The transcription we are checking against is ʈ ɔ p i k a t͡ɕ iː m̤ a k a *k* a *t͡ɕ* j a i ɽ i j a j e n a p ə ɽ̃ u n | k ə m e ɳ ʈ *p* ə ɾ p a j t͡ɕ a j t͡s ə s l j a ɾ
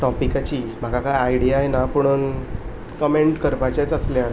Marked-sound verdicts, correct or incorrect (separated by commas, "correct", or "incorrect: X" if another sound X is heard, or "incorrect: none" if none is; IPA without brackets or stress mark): correct, incorrect: none, incorrect: k